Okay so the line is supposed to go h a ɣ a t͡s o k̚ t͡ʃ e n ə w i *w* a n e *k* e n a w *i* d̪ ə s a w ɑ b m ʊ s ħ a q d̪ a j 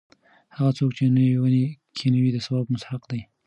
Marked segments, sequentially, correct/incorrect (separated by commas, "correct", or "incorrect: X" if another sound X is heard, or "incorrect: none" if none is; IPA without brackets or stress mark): correct, incorrect: kʰ, correct